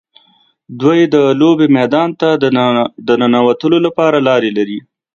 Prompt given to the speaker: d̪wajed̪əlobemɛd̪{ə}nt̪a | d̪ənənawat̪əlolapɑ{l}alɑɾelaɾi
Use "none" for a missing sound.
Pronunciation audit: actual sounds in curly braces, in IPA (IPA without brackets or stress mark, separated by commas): ɑ, ɾ